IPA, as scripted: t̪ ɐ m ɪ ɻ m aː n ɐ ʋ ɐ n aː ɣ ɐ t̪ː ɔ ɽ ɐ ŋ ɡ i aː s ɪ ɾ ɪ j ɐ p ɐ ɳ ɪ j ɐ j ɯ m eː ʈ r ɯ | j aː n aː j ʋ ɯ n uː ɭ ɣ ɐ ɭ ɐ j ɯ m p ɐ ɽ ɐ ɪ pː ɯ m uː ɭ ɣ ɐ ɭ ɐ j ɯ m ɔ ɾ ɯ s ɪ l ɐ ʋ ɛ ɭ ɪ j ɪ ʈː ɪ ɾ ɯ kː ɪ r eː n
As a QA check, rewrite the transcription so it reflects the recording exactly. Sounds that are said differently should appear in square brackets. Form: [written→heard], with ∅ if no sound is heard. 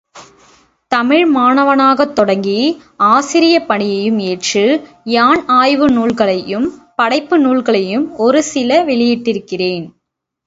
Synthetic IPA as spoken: t̪ ɐ m ɪ ɻ m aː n ɐ ʋ ɐ n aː ɣ ɐ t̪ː ɔ ɽ ɐ ŋ ɡ i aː s ɪ ɾ ɪ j ɐ p ɐ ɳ ɪ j ɐ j ɯ m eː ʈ r ɯ | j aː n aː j ʋ ɯ n uː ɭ ɣ ɐ ɭ ɐ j ɯ m p ɐ ɽ ɐ ɪ pː ɯ [m→n] uː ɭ ɣ ɐ ɭ ɐ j ɯ m ɔ ɾ ɯ s ɪ l ɐ ʋ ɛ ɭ ɪ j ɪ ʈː ɪ ɾ ɯ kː ɪ r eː n

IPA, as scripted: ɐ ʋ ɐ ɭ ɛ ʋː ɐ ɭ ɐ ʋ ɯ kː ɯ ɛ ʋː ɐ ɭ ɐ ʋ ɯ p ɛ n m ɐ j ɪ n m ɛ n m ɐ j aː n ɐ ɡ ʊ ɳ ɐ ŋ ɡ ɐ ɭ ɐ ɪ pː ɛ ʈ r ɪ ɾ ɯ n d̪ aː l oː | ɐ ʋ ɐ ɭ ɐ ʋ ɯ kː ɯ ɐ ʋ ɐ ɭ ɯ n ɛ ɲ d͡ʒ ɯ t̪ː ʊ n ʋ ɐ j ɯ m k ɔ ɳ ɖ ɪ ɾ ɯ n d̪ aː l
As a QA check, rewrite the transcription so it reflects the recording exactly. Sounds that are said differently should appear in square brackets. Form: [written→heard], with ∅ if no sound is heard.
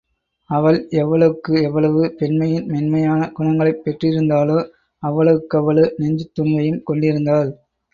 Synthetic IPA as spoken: ɐ ʋ ɐ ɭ ɛ ʋː ɐ ɭ ɐ ʋ ɯ kː ɯ ɛ ʋː ɐ ɭ ɐ ʋ ɯ p ɛ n m ɐ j ɪ n m ɛ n m ɐ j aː n ɐ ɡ ʊ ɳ ɐ ŋ ɡ ɐ ɭ ɐ ɪ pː ɛ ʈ r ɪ ɾ ɯ n d̪ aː l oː | ɐ [ʋ→ʋː] ɐ ɭ ɐ ʋ ɯ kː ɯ ɐ ʋ ɐ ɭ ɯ n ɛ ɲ d͡ʒ ɯ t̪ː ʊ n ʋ ɐ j ɯ m k ɔ ɳ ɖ ɪ ɾ ɯ n d̪ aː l

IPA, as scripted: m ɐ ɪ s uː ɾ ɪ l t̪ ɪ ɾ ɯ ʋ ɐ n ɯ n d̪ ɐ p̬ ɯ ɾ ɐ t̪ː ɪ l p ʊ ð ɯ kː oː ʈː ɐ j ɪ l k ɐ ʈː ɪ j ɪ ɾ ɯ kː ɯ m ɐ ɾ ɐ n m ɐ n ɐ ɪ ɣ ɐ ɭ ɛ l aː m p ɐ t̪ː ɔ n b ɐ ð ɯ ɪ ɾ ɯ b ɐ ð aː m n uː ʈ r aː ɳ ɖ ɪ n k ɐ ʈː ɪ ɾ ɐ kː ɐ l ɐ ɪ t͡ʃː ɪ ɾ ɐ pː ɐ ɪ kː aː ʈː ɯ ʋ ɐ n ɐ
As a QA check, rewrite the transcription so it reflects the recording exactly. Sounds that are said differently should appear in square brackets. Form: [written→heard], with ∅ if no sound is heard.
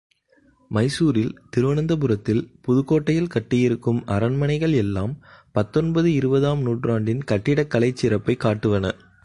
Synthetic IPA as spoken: m ɐ ɪ s uː ɾ ɪ l t̪ ɪ ɾ ɯ ʋ ɐ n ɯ n d̪ ɐ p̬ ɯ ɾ ɐ t̪ː ɪ l p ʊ ð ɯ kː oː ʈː ɐ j ɪ l k ɐ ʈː ɪ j ɪ ɾ ɯ kː ɯ m ɐ ɾ ɐ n m ɐ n ɐ ɪ ɣ ɐ ɭ ɛ [l→lː] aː m p ɐ t̪ː ɔ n b ɐ ð ɯ ɪ ɾ ɯ b ɐ ð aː m n uː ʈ r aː ɳ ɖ ɪ n k ɐ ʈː ɪ [ɾ→ɽ] ɐ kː ɐ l ɐ ɪ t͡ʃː ɪ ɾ ɐ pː ɐ ɪ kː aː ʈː ɯ ʋ ɐ n ɐ

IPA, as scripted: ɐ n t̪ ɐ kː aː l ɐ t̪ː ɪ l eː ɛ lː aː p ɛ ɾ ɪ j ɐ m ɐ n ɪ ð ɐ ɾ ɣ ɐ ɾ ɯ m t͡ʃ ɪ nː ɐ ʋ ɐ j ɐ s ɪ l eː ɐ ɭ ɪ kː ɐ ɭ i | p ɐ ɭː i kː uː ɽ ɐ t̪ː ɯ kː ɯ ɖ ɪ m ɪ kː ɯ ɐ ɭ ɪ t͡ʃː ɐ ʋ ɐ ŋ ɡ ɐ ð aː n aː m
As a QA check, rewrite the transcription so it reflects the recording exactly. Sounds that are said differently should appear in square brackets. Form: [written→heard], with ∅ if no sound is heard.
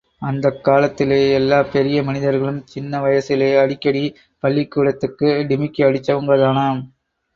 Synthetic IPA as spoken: ɐ n [t̪→d̪] ɐ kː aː l ɐ t̪ː ɪ l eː ɛ lː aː p ɛ ɾ ɪ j ɐ m ɐ n ɪ ð ɐ ɾ ɣ ɐ [ɾ→ɭ] ɯ m t͡ʃ ɪ nː ɐ ʋ ɐ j ɐ s ɪ l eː ɐ [ɭ→ɽ] ɪ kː ɐ [ɭ→ɽ] i | p ɐ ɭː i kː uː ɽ ɐ t̪ː ɯ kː ɯ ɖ ɪ m ɪ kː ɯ ɐ [ɭ→ɽ] ɪ t͡ʃː ɐ ʋ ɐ ŋ ɡ ɐ ð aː n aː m

